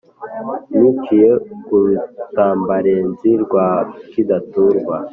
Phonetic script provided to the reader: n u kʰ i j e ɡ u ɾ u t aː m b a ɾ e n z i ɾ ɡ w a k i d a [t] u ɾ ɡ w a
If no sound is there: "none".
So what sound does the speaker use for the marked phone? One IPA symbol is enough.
t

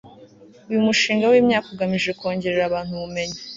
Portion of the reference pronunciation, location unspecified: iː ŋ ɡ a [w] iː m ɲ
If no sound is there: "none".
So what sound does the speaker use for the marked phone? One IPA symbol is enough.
w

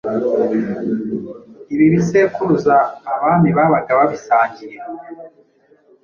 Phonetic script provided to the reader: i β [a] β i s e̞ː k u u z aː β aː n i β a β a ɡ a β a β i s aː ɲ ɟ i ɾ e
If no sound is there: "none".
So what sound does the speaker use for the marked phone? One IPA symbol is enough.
i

